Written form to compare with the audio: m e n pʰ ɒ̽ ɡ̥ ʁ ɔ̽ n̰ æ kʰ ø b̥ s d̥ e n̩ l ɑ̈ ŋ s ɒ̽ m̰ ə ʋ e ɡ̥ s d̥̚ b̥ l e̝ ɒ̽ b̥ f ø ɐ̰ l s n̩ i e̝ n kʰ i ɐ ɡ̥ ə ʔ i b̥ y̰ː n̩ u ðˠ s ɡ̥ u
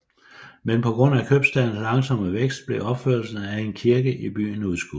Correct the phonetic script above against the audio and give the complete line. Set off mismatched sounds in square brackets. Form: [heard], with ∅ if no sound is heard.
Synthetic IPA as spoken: m e n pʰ ɒ̽ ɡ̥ ʁ ɔ̽ n̰ æ kʰ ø b̥ s d̥ [æ] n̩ l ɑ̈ ŋ s ɒ̽ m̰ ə ʋ e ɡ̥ s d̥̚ b̥ l e̝ ɒ̽ b̥ f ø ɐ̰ l s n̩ [æ] e̝ n kʰ i ɐ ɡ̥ ə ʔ i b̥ y̰ː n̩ u ðˠ s ɡ̥ u